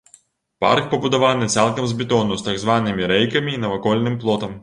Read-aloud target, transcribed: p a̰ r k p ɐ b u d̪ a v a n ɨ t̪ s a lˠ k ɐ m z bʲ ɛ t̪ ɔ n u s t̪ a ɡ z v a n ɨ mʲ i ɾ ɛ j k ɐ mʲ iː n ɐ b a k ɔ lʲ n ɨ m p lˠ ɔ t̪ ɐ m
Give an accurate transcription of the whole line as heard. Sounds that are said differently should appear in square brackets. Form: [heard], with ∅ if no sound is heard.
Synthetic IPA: p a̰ r k p ɐ b u d̪ a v a n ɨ t̪ s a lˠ k ɐ m z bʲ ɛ t̪ ɔ n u s t̪ a ɡ z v a n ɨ mʲ i ɾ ɛ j k ɐ mʲ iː n ɐ [v] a k ɔ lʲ n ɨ m p lˠ ɔ t̪ ɐ m